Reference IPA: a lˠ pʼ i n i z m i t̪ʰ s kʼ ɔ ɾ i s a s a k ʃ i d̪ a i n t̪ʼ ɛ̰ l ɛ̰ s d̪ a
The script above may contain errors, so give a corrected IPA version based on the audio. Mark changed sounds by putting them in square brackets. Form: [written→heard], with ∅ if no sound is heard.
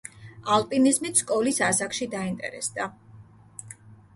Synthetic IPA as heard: a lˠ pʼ i n i z m i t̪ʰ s kʼ ɔ [ɾ→l] i s a s a k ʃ i d̪ a i n t̪ʼ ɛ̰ [l→ɾ] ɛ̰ s d̪ a